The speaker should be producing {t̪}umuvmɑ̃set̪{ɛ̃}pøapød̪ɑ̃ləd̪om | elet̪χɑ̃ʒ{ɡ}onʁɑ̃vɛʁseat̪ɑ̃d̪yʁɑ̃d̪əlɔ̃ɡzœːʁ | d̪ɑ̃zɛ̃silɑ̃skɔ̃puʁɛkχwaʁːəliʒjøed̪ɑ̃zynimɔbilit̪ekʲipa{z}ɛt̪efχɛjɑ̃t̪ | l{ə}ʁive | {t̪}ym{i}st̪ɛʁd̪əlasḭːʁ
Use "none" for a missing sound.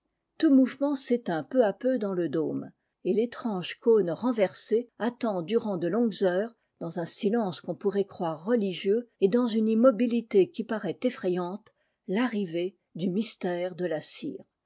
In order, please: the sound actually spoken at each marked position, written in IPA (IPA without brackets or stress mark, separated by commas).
t̪, ɛ̃, k, ʁ, a, d̪, i